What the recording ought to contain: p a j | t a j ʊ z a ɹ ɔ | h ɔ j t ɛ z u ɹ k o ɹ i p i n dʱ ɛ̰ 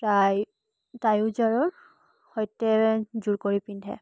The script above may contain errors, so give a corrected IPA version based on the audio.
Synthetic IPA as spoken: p a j | t a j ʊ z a ɹ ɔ | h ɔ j t ɛ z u ɹ k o ɹ i p i n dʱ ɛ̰

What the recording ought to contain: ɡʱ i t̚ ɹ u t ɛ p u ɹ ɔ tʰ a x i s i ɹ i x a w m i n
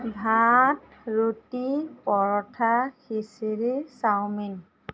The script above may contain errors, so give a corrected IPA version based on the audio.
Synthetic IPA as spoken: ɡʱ a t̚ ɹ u t i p ɔ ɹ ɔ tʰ a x i s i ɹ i s a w m i n

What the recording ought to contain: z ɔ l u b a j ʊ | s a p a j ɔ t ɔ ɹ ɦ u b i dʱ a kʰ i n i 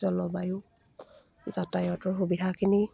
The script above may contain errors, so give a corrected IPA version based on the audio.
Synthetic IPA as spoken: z ɔ l ɔ b a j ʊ | z a t a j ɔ t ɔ ɹ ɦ u b i dʱ a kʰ i n i

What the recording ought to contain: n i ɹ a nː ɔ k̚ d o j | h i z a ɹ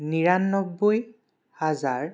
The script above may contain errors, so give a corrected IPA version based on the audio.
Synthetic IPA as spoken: n i ɹ a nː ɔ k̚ b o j | h a z a ɹ

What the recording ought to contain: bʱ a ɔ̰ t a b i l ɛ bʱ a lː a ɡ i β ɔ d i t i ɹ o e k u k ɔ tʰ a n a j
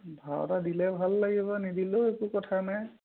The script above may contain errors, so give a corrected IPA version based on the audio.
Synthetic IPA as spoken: bʱ a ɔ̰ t a d i l ɛ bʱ a lː a ɡ i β ɔ n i d i l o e k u k ɔ tʰ a n a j

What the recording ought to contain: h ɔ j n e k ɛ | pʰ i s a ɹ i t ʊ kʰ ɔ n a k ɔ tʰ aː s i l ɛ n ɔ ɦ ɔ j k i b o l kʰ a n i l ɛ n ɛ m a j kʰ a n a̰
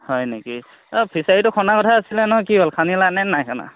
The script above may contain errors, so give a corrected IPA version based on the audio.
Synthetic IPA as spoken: h ɔ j n e k i | pʰ i s a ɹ i t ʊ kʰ ɔ n a k ɔ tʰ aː s i l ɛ n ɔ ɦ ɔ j k i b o l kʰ a n i l a n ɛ n a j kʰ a n a̰

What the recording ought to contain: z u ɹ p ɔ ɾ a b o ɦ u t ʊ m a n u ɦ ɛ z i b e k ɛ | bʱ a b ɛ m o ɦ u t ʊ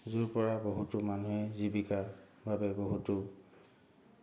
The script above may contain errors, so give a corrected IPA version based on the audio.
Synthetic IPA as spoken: z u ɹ p ɔ ɹ a b o ɦ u t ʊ m a n u ɦ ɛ z i b i k a | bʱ a b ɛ b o ɦ u t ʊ

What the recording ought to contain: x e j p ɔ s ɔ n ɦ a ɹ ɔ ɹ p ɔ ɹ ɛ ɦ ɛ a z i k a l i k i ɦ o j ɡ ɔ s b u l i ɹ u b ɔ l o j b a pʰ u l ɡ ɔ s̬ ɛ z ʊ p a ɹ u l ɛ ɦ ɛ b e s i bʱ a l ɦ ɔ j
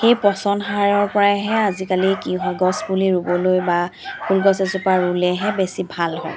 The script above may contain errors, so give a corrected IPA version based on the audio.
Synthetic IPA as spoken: x e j p ɔ s ɔ n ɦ a ɹ ɔ ɹ p ɔ ɹ a ɦ ɛ a z i k a l i k i ɦ ɔ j ɡ ɔ s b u l i ɹ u b ɔ l o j b a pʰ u l ɡ ɔ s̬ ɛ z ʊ p a ɹ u l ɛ ɦ ɛ b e s i bʱ a l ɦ ɔ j

